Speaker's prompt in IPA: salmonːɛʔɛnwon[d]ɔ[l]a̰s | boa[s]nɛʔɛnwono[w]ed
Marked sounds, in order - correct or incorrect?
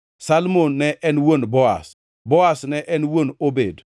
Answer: incorrect, incorrect, correct, incorrect

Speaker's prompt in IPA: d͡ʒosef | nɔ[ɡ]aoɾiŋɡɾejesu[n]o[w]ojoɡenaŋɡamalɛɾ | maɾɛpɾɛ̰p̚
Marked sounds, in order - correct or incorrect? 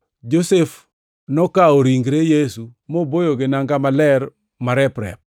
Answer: incorrect, incorrect, incorrect

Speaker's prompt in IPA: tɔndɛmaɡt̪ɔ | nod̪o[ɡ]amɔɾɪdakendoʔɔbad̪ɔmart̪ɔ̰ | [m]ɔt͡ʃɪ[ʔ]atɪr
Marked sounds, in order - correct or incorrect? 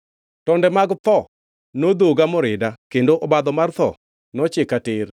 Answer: correct, incorrect, incorrect

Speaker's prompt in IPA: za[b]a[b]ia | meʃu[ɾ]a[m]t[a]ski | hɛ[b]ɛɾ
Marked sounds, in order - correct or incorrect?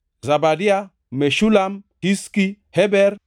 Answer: correct, incorrect, incorrect, correct, incorrect, correct

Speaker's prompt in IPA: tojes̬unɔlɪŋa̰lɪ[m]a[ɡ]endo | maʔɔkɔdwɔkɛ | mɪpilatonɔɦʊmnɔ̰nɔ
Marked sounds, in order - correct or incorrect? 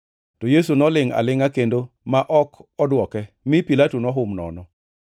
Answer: incorrect, incorrect

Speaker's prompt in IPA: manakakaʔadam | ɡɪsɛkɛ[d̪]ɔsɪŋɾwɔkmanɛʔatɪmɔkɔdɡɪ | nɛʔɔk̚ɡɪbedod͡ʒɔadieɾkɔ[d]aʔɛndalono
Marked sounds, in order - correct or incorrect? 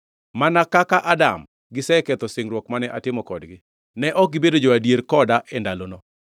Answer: incorrect, correct

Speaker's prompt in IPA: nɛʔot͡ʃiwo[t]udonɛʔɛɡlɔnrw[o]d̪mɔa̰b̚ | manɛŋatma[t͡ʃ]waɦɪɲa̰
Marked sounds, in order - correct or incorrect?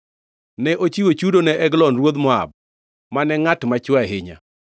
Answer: incorrect, correct, correct

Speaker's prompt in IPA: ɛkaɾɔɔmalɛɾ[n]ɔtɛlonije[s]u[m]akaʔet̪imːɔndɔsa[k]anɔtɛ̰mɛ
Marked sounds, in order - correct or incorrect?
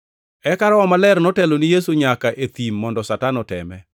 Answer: correct, correct, incorrect, incorrect

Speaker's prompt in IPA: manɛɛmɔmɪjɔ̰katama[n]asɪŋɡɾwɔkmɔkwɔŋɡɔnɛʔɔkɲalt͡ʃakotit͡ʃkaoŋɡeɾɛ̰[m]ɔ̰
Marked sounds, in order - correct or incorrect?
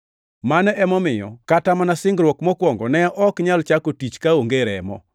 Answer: correct, correct

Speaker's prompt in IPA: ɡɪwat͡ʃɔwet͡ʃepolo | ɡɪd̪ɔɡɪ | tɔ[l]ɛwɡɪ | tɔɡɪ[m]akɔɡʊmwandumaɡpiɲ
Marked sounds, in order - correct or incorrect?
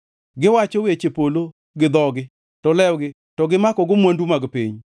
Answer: correct, correct

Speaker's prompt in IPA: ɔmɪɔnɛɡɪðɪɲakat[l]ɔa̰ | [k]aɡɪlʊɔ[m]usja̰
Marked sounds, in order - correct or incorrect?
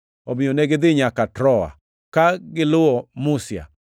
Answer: incorrect, correct, correct

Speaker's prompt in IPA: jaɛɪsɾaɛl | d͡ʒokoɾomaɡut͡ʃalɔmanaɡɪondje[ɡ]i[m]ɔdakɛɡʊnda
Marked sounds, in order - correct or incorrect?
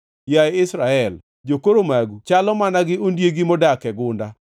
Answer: correct, correct

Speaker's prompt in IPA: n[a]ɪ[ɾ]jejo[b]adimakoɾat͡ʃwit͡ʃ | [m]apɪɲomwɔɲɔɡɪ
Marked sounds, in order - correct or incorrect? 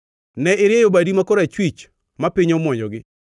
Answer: incorrect, correct, correct, correct

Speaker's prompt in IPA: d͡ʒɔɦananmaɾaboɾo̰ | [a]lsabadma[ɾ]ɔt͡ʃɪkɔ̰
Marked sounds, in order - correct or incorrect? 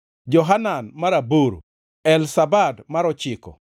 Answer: incorrect, correct

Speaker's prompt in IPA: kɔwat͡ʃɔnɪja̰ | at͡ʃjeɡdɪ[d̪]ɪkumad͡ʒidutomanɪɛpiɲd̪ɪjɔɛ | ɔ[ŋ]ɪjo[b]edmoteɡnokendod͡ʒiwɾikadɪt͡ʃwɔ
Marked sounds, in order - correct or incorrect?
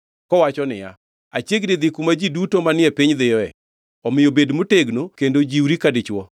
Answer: correct, incorrect, correct

